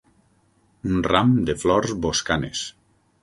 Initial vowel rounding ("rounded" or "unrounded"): rounded